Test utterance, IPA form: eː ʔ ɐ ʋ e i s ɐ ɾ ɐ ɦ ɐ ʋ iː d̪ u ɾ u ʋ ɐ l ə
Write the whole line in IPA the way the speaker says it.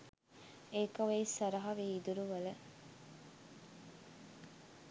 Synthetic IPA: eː k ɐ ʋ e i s ɐ ɾ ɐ ɦ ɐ ʋ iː d̪ u ɾ u ʋ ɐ l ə